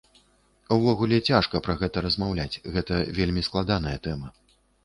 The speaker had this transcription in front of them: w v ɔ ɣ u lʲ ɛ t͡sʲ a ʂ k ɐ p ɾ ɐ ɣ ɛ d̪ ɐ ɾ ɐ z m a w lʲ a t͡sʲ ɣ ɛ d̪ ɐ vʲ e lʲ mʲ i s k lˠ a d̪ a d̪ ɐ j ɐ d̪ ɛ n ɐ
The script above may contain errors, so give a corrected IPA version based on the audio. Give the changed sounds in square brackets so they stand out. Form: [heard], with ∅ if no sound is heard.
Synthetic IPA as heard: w v ɔ ɣ u lʲ ɛ t͡sʲ a ʂ k ɐ p ɾ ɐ ɣ ɛ [t̪] ɐ ɾ ɐ z m a w lʲ a t͡sʲ ɣ ɛ [t̪] ɐ vʲ e lʲ mʲ i s k lˠ a d̪ a [n̪] ɐ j ɐ [t̪] ɛ [m] ɐ